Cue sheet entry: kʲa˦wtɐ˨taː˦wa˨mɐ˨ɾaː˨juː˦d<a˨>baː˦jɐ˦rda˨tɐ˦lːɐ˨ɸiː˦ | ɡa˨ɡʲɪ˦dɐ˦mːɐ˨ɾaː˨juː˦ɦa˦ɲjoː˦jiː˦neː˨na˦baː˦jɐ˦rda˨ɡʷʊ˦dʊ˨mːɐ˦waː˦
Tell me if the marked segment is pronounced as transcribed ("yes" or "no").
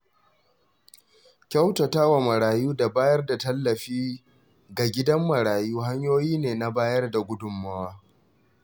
yes